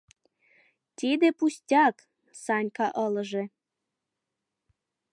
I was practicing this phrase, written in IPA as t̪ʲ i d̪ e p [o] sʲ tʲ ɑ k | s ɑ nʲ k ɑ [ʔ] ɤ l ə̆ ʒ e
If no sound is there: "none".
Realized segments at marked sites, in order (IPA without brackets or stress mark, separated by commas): u, ʔ